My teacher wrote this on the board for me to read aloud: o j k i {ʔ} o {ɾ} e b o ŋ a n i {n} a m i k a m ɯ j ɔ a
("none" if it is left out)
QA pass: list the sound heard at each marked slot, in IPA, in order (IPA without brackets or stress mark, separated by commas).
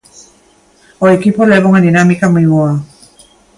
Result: p, l, n